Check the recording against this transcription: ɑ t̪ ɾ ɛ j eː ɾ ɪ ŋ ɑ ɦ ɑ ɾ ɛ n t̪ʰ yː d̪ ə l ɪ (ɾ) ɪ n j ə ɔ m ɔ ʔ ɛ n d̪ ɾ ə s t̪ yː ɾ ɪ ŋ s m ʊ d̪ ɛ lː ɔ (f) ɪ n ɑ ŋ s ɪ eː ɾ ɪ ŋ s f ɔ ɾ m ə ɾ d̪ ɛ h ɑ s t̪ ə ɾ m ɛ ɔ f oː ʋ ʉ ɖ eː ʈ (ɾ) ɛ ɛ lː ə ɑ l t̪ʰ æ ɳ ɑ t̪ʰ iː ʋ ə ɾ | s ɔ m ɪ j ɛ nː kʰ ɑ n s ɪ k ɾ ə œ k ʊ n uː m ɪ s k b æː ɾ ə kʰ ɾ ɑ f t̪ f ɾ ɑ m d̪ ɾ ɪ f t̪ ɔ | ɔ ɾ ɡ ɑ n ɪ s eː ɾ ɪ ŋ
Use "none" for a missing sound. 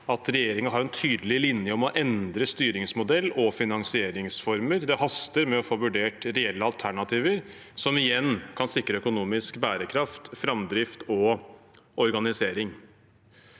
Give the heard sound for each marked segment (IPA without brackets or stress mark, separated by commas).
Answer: l, f, ɾ